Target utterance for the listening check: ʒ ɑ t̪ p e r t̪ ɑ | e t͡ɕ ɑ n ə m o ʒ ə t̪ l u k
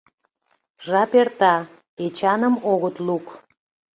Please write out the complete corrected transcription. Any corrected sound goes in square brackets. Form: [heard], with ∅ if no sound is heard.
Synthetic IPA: ʒ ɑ [∅] p e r t̪ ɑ | e t͡ɕ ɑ n ə m o [ɣ] ə t̪ l u k